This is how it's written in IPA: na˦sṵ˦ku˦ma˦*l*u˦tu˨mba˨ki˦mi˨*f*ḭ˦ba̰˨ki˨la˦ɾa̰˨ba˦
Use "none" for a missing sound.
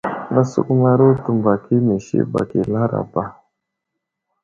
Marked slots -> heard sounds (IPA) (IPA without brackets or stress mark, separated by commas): ɾ, ʃ